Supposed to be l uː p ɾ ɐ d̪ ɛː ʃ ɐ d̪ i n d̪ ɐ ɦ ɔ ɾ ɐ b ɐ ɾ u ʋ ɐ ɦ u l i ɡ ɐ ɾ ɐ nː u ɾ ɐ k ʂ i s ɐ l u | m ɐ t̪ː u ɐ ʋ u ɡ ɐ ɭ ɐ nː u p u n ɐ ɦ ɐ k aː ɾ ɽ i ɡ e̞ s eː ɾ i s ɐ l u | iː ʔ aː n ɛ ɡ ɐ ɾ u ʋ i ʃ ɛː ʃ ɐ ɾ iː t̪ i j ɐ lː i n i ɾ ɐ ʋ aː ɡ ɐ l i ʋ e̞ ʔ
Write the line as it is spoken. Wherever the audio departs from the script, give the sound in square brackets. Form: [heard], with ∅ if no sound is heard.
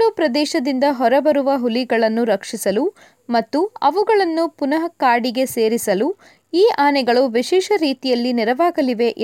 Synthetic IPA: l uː p ɾ ɐ d̪ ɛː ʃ ɐ d̪ i n d̪ ɐ ɦ ɔ ɾ ɐ b ɐ ɾ u ʋ ɐ ɦ u l i ɡ ɐ [ɭ] ɐ nː u ɾ ɐ k ʂ i s ɐ l u | m ɐ t̪ː u ɐ ʋ u ɡ ɐ ɭ ɐ nː u p u n ɐ ɦ ɐ k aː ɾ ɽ i ɡ e̞ s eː ɾ i s ɐ l u | iː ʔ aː n ɛ ɡ ɐ [ɭ] u ʋ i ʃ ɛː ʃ ɐ ɾ iː t̪ i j ɐ lː i n i ɾ ɐ ʋ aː ɡ ɐ l i ʋ e̞ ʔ